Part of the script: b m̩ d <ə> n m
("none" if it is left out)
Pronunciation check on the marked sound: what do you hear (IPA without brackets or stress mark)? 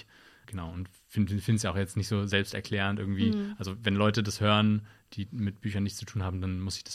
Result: a